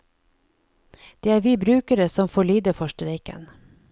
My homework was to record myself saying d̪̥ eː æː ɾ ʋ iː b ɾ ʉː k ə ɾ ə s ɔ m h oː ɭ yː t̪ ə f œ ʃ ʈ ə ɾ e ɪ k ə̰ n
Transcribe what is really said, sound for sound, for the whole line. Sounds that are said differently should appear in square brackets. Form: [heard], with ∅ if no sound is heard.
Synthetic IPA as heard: d̪̥ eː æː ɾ ʋ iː b ɾ ʉː k ə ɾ ə s ɔ m [f] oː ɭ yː [d̪] ə f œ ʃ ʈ ə ɾ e ɪ k ə̰ n